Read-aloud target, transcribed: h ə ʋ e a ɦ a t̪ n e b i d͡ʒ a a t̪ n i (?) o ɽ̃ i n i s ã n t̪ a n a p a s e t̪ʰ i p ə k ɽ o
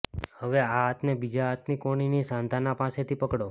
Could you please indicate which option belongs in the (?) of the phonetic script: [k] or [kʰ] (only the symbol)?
k